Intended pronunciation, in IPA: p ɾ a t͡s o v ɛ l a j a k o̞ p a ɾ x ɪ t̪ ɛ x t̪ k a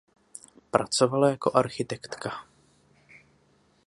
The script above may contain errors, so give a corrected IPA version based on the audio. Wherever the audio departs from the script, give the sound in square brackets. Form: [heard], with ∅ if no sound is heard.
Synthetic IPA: p ɾ a t͡s o v [a] l a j a k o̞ [ʔ] a ɾ x ɪ t̪ ɛ [k] t̪ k a